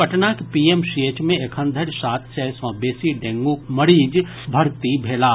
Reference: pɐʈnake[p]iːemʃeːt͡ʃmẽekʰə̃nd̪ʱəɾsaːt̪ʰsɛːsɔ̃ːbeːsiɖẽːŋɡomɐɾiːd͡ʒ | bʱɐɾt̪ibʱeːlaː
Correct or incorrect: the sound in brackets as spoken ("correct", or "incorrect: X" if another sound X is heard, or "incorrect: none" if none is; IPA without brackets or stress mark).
correct